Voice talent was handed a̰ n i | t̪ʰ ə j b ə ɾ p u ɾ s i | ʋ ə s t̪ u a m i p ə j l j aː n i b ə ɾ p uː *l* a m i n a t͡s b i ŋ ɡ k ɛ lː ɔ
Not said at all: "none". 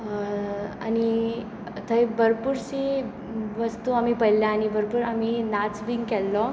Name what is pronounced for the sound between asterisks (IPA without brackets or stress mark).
ɾ